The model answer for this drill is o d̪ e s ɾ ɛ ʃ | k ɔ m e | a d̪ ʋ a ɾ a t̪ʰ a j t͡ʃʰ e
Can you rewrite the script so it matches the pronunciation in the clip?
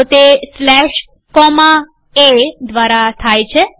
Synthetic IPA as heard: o t̪ e s l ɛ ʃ | k ɔ m a | e d̪ ʋ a ɾ a t̪ʰ a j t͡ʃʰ e